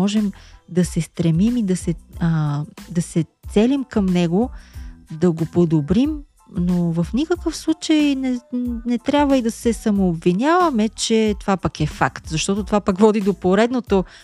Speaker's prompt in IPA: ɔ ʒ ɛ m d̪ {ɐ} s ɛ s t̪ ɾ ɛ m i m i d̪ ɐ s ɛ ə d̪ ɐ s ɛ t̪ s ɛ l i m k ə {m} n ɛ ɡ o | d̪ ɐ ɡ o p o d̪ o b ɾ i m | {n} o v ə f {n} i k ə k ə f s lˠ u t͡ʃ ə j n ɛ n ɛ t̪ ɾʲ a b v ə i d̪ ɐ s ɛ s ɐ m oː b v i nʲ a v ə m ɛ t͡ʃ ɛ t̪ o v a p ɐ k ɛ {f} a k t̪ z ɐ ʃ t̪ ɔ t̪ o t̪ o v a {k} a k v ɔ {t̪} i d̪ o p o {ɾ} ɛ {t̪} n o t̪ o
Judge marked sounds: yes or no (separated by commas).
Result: yes, yes, yes, yes, yes, no, no, yes, no